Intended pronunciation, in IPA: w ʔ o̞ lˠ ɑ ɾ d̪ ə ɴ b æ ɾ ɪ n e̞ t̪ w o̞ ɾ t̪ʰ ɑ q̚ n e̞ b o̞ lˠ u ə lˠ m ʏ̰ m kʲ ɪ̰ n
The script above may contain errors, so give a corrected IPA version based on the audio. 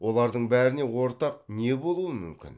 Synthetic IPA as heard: w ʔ o̞ lˠ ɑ ɾ d̪ ə ɴ b æ ɾ ɪ n e̞ w o̞ ɾ t̪ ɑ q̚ n e̞ b o̞ lˠ u ə m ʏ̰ m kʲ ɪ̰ n